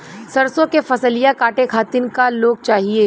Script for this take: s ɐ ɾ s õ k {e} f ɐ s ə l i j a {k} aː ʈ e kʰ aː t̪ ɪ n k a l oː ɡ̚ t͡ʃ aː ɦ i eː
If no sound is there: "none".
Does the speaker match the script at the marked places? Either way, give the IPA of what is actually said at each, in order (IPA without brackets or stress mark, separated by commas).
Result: e, k